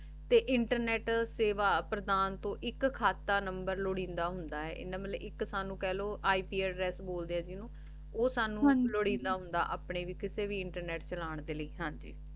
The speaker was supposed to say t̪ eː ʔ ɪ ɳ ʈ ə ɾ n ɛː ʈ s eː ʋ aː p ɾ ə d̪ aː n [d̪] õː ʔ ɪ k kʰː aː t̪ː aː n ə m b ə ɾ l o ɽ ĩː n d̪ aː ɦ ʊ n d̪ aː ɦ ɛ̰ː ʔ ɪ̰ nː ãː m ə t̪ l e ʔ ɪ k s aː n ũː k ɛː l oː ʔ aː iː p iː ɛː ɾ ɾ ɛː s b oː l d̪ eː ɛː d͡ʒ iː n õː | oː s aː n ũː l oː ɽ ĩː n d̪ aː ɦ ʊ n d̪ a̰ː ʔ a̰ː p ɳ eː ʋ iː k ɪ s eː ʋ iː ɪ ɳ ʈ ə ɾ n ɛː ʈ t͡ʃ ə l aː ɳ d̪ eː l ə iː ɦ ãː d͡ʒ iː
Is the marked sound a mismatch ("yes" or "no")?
yes